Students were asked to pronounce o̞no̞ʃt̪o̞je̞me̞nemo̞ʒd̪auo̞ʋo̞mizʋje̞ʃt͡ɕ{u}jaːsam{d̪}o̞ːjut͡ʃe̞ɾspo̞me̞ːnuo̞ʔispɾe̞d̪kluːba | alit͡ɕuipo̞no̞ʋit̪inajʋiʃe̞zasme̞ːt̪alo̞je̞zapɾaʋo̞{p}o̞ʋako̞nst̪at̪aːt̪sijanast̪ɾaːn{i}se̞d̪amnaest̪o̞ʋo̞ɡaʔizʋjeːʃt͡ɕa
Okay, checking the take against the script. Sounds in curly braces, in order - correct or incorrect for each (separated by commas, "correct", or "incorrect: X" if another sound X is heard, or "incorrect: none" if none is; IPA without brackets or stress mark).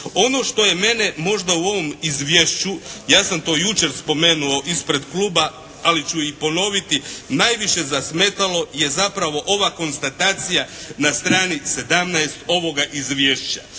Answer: correct, incorrect: t̪, incorrect: ʔ, correct